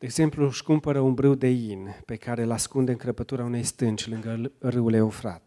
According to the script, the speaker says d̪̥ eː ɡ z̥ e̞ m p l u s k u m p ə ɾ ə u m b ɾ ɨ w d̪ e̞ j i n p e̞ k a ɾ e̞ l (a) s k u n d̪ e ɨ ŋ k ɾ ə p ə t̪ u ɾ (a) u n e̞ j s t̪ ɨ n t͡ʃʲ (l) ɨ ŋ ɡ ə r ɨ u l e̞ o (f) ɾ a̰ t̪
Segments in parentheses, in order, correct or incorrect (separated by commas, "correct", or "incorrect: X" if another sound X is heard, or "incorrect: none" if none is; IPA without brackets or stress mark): correct, correct, correct, correct